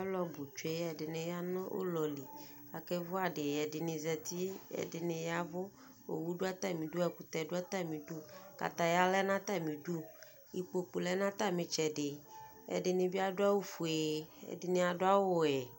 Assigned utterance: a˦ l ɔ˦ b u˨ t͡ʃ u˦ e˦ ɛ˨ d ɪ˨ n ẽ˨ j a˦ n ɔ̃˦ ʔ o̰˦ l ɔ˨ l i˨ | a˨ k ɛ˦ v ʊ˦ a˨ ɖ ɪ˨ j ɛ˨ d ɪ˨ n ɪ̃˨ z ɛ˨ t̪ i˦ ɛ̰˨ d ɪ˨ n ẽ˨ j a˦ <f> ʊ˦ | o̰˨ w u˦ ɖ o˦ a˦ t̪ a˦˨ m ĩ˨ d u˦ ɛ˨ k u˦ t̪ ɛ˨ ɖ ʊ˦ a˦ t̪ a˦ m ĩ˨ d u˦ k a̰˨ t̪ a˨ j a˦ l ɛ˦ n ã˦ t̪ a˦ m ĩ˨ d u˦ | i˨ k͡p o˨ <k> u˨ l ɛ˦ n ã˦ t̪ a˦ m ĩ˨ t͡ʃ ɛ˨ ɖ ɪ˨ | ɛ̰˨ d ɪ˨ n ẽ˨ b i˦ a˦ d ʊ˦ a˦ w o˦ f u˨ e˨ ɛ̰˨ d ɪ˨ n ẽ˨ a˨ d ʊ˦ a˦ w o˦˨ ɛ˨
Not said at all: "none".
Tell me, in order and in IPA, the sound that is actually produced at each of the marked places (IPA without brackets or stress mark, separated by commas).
v, k͡p